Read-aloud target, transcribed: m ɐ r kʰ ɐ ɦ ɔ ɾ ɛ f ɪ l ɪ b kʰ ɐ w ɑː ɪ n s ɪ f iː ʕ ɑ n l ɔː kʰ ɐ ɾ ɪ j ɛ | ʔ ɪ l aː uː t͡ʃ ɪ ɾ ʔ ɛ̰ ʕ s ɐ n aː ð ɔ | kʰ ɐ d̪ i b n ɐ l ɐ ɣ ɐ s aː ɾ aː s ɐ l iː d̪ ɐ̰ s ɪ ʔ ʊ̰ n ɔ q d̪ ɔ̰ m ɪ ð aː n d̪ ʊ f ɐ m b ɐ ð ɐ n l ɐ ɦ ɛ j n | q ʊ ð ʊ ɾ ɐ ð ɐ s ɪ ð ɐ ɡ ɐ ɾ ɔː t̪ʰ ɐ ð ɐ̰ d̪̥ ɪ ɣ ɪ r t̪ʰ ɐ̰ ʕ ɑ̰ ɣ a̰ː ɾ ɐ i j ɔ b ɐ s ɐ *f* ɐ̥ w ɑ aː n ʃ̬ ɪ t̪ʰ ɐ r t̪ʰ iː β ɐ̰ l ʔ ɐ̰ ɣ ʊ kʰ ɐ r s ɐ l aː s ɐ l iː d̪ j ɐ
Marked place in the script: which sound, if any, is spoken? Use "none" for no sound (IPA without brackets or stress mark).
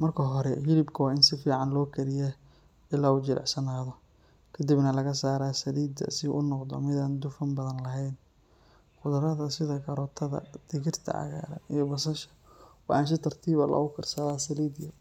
ʃ